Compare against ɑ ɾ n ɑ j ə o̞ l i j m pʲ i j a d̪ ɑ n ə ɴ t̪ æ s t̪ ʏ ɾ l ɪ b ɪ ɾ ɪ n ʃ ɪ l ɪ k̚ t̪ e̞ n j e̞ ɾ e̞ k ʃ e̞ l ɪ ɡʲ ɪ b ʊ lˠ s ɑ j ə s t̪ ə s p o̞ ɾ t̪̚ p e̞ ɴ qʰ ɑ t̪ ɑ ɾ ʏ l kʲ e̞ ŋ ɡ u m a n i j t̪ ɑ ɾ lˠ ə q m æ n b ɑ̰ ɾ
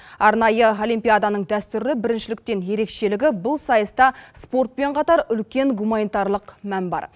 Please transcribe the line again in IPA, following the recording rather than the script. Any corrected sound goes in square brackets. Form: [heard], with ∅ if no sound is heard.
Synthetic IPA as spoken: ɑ ɾ n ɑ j ə o̞ l i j m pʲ i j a d̪ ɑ n ə ɴ [d̪] æ s t̪ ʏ ɾ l ɪ b ɪ ɾ ɪ n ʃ ɪ l ɪ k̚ t̪ e̞ n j e̞ ɾ e̞ k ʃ e̞ l ɪ ɡʲ ɪ b ʊ lˠ s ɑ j ə s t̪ [ɑ] s p o̞ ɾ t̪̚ p e̞ ɴ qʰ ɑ t̪ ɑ ɾ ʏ l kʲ e̞ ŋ ɡ u m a n i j t̪ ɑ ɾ lˠ ə q m æ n b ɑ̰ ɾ